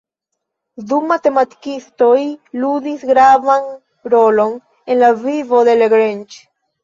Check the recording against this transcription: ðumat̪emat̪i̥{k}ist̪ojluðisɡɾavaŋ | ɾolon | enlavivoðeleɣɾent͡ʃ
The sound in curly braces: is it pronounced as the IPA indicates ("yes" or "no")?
yes